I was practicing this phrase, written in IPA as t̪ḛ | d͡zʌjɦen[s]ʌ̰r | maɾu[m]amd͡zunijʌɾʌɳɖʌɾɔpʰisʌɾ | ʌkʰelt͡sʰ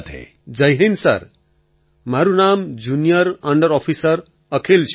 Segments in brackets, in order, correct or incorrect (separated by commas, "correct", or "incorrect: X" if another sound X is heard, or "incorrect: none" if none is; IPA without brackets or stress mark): correct, incorrect: n